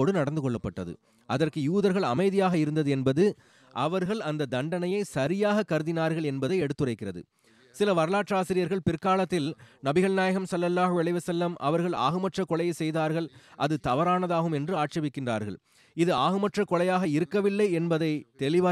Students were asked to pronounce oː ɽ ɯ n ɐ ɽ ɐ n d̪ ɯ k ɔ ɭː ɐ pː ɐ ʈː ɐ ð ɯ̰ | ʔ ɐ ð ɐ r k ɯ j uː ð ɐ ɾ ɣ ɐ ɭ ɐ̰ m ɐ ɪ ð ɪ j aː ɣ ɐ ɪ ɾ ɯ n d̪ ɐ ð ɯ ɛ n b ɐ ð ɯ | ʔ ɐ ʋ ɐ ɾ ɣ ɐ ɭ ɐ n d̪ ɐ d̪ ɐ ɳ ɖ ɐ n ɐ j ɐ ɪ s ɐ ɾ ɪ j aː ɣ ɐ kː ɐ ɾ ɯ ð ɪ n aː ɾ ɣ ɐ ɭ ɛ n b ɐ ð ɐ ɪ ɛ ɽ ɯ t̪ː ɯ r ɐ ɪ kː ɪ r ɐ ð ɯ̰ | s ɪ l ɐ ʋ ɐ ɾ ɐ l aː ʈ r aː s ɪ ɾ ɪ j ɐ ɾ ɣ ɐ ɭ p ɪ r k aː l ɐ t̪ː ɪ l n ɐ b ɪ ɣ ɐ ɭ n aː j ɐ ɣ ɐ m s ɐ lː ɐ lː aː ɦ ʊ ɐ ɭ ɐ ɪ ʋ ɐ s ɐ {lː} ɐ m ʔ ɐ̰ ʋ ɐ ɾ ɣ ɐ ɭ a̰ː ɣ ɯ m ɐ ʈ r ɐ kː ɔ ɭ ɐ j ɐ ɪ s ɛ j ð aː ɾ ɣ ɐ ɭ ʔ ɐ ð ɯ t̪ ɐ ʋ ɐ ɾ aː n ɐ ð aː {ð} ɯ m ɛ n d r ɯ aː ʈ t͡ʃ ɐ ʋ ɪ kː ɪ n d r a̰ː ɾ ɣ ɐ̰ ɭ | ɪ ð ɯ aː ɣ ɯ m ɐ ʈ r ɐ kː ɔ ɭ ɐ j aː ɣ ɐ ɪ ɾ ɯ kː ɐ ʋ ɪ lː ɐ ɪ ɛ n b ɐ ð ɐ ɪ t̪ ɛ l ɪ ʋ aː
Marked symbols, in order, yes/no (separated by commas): yes, no